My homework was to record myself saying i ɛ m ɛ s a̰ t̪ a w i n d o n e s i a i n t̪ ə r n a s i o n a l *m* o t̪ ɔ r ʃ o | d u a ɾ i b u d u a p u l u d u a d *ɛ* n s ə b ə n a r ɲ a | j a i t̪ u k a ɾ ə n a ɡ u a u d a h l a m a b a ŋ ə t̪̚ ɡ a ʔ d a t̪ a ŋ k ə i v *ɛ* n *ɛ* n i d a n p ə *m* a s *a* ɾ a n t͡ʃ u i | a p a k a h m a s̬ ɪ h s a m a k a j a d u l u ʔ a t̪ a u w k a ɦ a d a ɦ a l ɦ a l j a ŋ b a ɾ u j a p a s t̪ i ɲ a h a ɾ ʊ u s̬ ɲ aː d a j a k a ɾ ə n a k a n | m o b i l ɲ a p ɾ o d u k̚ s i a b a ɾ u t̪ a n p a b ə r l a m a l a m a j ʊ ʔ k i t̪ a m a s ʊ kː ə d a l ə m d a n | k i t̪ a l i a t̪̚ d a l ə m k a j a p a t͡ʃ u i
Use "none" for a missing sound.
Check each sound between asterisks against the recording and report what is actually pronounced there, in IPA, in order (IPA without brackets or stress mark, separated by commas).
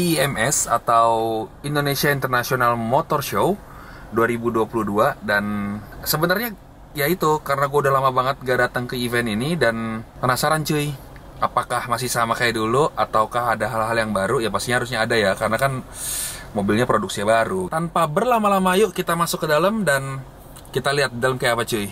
m, a, ɛ, i, n, a